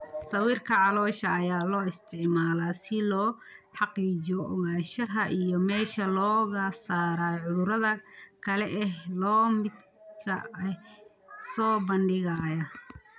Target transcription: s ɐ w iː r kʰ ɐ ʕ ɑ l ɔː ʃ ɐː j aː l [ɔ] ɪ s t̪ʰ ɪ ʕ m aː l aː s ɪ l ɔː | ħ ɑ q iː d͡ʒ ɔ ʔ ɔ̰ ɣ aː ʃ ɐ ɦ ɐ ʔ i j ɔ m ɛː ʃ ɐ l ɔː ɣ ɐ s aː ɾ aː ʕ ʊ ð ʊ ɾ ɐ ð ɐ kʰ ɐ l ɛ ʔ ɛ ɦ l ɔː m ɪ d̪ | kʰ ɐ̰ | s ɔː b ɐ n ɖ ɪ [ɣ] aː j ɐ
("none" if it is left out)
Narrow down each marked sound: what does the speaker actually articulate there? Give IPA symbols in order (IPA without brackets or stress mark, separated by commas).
ɔː, ɣ